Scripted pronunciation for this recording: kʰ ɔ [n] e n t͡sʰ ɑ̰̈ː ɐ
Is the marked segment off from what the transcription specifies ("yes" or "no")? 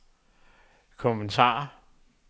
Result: yes